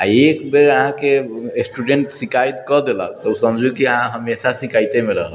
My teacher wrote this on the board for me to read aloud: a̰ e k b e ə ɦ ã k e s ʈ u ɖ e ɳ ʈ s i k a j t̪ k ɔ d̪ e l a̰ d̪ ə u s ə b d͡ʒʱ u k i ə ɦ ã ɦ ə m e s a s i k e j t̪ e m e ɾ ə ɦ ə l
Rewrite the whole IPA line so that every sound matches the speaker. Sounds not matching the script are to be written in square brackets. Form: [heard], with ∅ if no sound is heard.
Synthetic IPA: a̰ e k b e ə ɦ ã k e s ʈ u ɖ e ɳ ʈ s i k a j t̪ k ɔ d̪ e l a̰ [t̪] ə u s ə [m] d͡ʒʱ u k i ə ɦ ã ɦ ə m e s a s i k [a] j t̪ e m e ɾ ə ɦ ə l